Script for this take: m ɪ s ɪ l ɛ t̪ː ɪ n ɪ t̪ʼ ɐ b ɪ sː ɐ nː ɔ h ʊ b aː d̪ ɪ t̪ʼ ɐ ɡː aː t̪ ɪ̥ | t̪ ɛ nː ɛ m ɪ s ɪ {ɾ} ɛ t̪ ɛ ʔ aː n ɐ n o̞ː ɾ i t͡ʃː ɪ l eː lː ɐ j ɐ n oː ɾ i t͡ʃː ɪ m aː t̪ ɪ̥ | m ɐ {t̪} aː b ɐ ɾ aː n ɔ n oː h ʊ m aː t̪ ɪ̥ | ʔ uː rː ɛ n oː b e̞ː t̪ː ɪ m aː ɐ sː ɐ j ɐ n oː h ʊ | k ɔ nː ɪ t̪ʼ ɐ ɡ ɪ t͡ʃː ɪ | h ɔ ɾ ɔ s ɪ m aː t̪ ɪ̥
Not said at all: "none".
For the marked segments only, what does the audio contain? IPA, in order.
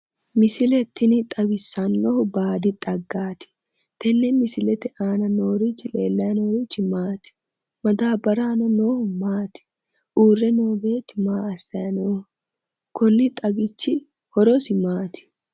l, d̪

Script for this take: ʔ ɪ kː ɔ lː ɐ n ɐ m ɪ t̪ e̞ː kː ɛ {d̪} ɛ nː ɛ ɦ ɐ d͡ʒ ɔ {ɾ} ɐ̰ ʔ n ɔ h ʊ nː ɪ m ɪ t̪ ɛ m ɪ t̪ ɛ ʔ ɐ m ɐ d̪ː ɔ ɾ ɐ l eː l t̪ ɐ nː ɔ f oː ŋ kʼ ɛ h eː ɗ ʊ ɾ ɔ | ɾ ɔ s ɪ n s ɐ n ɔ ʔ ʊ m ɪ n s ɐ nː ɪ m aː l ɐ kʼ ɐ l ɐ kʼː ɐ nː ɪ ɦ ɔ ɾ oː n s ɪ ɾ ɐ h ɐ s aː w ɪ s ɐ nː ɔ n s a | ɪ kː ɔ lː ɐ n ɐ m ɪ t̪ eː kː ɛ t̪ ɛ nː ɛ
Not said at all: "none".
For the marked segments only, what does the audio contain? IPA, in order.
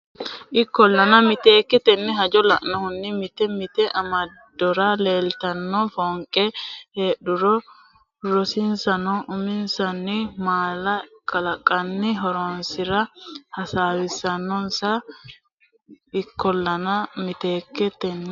t̪, l

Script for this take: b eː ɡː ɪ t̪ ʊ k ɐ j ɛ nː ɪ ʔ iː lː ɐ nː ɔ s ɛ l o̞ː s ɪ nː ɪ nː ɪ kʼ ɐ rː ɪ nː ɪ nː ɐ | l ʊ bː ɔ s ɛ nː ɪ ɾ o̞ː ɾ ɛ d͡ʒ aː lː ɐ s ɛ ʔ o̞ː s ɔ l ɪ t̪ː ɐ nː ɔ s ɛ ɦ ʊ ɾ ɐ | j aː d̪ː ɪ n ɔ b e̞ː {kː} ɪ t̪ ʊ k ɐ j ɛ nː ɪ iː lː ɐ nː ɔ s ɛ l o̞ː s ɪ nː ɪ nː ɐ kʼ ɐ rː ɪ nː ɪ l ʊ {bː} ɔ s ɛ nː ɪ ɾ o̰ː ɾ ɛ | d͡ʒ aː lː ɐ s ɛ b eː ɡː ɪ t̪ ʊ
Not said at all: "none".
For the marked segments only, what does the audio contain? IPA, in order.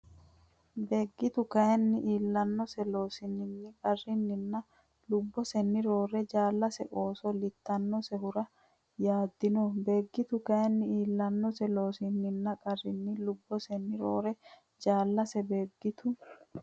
ɡː, bː

